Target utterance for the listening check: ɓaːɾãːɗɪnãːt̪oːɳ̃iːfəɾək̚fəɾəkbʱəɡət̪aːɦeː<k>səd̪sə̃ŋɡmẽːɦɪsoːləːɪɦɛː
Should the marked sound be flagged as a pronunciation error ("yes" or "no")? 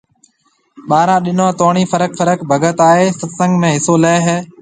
yes